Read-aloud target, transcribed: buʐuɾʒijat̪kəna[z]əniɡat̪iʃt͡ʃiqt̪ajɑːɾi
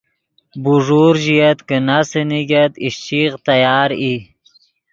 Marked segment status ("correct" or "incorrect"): incorrect